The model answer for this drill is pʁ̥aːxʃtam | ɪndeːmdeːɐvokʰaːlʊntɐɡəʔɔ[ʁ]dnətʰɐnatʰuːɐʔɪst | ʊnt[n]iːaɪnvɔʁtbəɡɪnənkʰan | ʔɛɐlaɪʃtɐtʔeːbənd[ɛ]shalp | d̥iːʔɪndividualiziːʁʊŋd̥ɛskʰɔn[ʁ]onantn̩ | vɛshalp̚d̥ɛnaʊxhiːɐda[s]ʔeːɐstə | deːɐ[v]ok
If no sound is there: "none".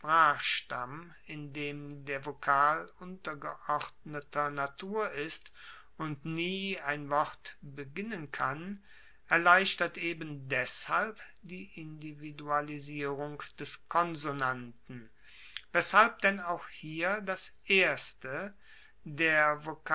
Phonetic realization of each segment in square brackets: ʁ, n, ɛ, z, s, v

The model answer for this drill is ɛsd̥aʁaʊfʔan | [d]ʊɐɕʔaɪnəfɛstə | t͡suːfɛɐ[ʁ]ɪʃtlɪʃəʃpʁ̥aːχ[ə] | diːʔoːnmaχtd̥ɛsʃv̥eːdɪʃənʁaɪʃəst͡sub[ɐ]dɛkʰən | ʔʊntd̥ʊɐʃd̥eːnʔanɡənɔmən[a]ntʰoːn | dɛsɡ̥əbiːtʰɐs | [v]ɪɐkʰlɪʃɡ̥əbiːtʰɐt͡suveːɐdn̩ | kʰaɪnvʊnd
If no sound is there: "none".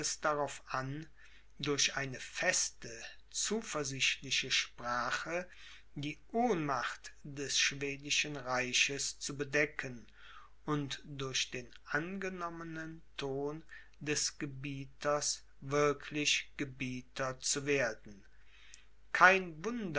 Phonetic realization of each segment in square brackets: d, z, ə, ə, ə, v

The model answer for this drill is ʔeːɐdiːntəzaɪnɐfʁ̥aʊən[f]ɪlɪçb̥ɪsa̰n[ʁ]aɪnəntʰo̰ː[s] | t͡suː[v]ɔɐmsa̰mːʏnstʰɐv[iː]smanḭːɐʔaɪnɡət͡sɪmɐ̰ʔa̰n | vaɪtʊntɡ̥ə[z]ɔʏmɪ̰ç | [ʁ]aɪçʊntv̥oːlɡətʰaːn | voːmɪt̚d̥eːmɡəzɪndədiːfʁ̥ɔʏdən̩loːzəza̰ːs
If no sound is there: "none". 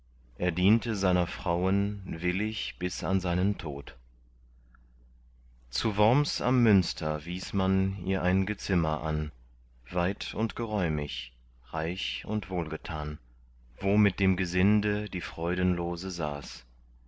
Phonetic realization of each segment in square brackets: v, z, t, v, iː, ʁ, ʁ

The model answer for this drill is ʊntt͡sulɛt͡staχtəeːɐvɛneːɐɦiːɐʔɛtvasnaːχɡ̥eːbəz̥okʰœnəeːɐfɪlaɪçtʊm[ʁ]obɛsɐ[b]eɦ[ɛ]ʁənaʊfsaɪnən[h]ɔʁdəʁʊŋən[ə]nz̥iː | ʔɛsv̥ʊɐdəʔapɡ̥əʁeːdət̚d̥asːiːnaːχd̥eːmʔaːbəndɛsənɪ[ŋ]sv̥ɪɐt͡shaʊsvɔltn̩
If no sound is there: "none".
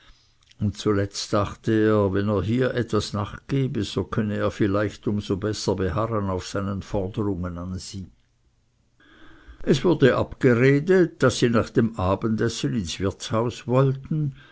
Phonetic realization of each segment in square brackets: z, b, a, f, a, n

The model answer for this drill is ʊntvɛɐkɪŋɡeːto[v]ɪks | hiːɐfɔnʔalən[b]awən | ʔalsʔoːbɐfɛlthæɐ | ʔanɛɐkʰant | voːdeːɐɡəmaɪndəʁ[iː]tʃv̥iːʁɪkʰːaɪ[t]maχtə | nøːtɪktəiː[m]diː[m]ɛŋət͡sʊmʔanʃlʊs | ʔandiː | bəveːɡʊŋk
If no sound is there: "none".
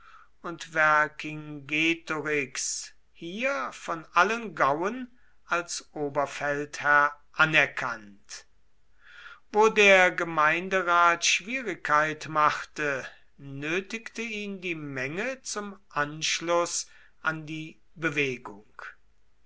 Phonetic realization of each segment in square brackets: ʁ, ɡ, aː, t, n, m

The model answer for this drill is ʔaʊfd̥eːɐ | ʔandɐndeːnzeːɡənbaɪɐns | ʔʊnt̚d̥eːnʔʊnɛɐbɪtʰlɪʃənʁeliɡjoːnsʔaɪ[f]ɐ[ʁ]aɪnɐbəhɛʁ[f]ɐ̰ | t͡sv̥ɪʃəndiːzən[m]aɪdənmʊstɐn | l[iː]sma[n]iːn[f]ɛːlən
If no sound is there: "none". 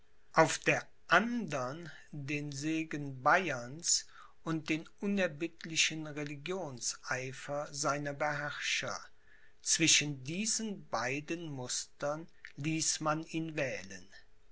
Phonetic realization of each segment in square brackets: f, z, ʃ, b, iː, n, v

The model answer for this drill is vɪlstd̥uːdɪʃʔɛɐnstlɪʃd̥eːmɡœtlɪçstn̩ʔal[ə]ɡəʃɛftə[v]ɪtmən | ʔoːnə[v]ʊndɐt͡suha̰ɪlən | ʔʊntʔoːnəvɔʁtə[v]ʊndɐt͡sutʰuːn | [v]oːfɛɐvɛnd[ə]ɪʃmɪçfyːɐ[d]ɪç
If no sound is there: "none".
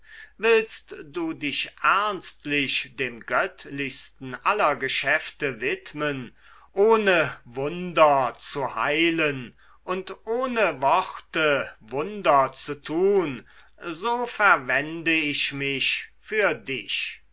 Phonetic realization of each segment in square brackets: ɐ, v, v, v, z, ə, d

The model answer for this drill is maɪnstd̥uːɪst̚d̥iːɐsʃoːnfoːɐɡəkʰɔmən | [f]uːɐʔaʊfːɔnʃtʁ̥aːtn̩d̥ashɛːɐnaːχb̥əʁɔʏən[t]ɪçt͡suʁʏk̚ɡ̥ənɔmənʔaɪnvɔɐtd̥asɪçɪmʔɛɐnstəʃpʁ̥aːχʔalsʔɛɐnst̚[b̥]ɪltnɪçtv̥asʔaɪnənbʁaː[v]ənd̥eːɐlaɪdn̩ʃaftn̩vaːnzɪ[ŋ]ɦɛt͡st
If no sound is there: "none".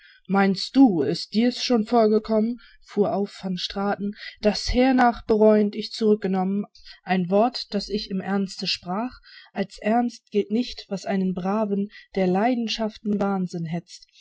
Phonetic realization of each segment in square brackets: f, t, ɡ̥, v, n

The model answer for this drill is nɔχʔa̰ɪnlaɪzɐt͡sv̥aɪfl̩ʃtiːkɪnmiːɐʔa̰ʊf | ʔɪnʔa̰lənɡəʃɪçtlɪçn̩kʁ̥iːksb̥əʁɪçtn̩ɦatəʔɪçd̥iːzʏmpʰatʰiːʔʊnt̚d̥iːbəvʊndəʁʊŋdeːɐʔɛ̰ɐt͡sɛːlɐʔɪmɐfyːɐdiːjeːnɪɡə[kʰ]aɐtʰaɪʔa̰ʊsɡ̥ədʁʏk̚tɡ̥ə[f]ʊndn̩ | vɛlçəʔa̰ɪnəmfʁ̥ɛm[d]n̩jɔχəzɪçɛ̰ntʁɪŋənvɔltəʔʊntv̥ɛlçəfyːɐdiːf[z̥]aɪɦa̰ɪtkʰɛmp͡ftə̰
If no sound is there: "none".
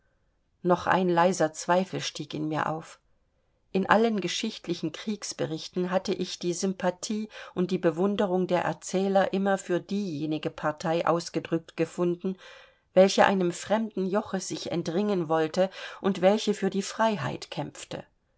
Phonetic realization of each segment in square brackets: pʰ, f, d, ʁ̥

